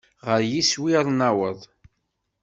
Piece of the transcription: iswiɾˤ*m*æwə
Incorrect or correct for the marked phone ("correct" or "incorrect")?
incorrect